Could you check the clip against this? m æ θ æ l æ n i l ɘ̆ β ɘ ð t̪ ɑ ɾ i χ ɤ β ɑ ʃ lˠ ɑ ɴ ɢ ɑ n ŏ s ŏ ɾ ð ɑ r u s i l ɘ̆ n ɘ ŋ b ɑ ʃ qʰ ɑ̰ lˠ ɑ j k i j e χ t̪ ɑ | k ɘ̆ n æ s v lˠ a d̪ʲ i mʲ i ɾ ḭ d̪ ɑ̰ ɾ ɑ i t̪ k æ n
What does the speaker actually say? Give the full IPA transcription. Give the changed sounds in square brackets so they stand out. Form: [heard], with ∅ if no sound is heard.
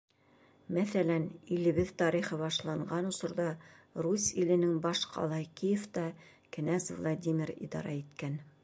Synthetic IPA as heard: m æ θ æ l æ n i l ɘ̆ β ɘ ð t̪ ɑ ɾ i χ ɤ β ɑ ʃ lˠ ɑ ɴ ɢ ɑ n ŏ s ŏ ɾ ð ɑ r u s i l ɘ̆ n ɘ ŋ b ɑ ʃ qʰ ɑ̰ lˠ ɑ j k i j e [f] t̪ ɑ | k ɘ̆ n æ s v lˠ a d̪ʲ i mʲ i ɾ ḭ d̪ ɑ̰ ɾ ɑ i t̪ k æ n